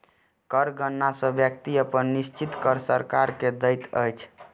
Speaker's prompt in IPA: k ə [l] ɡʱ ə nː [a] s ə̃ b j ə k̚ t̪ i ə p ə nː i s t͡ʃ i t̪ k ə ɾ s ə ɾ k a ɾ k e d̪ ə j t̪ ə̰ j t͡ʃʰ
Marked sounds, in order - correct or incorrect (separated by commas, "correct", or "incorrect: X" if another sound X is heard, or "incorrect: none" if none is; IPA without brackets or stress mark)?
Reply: incorrect: ɾ, correct